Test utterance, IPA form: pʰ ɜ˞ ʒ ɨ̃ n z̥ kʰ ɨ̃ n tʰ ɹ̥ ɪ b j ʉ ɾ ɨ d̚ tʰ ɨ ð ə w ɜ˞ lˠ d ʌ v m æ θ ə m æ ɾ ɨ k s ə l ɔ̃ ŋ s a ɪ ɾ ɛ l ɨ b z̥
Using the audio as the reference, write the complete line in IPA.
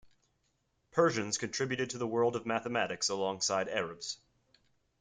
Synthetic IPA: pʰ ɜ˞ ʒ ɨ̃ n z̥ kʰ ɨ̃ n tʰ ɹ̥ ɪ b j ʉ ɾ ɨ d̚ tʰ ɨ ð ə w ɜ˞ lˠ d ʌ v m æ θ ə m æ ɾ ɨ k s ə l ɔ̃ ŋ s a ɪ ɾ ɛ ɹ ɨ b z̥